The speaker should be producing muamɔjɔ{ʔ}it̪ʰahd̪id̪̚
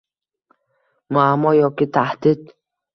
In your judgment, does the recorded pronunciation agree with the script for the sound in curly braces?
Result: no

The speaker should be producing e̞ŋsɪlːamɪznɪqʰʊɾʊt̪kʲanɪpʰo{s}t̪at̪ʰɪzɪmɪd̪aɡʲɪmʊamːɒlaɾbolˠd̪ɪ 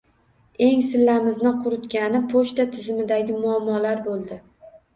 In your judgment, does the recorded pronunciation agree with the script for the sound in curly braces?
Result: no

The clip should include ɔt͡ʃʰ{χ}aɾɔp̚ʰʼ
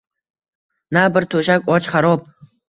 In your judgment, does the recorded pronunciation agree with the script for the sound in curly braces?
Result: yes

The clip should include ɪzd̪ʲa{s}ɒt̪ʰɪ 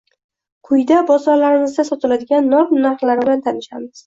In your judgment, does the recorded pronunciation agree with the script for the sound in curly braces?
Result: yes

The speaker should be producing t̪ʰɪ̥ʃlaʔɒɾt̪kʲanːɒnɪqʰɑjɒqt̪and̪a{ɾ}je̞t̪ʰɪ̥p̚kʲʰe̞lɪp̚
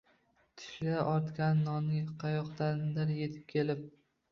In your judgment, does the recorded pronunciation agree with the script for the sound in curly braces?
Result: yes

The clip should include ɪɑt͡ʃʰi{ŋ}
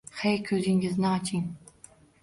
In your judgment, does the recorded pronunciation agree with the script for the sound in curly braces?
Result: yes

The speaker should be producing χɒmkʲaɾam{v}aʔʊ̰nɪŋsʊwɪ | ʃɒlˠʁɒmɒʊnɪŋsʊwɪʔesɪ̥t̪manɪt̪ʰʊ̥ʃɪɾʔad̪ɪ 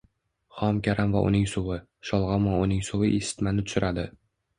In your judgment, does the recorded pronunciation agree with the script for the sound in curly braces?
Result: yes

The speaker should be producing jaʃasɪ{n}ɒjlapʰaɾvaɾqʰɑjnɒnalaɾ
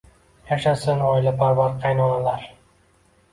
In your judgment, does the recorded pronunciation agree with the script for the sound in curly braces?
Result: yes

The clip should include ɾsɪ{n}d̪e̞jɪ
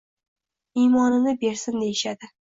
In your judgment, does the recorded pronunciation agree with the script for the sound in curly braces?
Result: yes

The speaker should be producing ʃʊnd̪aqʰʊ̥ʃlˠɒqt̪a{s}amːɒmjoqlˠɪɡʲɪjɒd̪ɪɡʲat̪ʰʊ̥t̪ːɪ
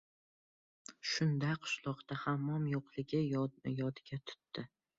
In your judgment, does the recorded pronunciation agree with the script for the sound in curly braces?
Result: no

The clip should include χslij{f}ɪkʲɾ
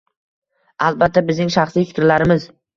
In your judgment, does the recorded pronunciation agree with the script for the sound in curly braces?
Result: yes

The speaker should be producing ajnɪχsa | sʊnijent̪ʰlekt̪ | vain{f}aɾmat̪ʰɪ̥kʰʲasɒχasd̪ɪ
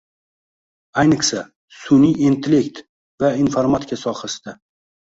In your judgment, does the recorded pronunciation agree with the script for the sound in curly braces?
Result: yes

